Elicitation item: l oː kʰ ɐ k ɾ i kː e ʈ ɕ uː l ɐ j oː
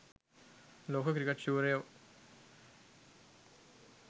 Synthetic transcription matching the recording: l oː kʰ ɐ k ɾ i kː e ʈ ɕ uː ɾ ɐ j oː